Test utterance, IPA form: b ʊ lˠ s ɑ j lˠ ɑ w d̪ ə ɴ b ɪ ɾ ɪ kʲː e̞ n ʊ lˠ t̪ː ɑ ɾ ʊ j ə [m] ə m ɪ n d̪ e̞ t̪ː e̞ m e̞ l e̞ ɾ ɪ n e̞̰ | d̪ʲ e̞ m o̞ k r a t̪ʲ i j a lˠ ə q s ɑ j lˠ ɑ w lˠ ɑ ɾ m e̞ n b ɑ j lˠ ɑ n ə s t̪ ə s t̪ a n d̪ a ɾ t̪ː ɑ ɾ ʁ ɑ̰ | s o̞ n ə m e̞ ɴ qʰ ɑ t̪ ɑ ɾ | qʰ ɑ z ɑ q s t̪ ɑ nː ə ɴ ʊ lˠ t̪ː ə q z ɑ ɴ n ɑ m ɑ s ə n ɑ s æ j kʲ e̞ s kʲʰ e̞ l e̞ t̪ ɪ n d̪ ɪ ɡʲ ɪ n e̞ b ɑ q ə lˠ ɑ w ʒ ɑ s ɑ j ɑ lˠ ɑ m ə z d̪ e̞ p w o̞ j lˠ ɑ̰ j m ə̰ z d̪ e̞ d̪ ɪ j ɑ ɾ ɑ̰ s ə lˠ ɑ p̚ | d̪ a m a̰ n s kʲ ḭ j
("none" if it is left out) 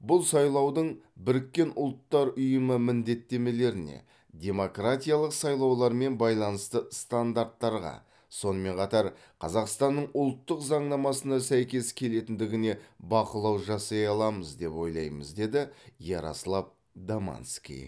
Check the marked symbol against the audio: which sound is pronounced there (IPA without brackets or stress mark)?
m